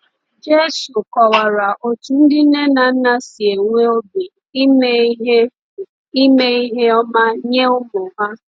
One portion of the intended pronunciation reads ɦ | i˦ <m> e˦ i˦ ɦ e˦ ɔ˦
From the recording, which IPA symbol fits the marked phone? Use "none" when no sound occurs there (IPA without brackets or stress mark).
m